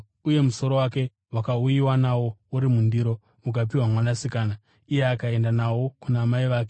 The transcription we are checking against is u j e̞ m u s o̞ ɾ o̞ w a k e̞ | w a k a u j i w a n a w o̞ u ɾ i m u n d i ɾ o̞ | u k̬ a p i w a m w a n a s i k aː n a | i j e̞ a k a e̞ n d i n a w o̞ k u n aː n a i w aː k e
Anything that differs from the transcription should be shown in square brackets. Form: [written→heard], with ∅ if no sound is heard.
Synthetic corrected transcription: u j e̞ m u s o̞ ɾ o̞ w a k e̞ | w a k a u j i w a n a w o̞ u ɾ i m u n d i ɾ o̞ | u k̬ a p i w a m w a n a s i k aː n a | i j e̞ a k a e̞ n d [i→a] n a w o̞ k u n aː [n→m] a i [w→ʋ] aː k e